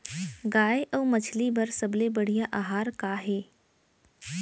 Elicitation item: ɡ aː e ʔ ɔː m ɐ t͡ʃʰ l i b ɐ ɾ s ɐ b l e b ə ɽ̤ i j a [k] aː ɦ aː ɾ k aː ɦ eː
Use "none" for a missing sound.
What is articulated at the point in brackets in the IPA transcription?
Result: ʔ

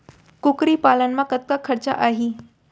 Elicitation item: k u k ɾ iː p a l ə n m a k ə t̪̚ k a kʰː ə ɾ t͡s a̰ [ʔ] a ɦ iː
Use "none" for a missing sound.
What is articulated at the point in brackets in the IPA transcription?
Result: ʔ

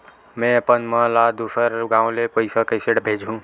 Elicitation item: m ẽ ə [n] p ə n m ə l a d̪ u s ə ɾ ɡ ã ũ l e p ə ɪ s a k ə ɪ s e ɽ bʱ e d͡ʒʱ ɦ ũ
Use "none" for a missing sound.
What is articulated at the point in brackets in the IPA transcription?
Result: none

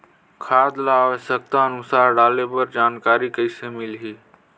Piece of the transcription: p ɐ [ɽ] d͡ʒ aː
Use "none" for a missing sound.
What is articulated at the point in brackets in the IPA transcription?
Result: ɾ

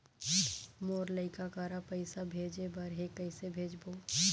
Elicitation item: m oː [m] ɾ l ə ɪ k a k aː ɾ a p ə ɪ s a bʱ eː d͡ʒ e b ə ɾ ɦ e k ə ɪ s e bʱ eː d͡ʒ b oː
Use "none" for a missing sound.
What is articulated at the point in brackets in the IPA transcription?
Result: none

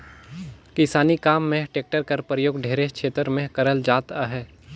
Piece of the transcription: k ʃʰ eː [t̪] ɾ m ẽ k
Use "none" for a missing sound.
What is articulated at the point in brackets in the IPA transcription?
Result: t̪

